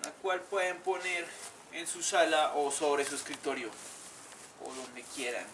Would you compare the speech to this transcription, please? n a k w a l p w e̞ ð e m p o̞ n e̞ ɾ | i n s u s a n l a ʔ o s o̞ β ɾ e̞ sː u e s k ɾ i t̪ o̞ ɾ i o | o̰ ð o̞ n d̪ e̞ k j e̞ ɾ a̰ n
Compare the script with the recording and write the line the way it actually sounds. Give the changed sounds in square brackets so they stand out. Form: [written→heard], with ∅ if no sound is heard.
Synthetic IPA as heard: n a k w a l p w e̞ ð e m p o̞ n e̞ ɾ | [i→e] n s u s a [n→∅] l a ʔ o s o̞ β ɾ e̞ [sː→s] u e s k ɾ i t̪ o̞ ɾ [i→j] o | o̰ ð o̞ n d̪ e̞ k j e̞ ɾ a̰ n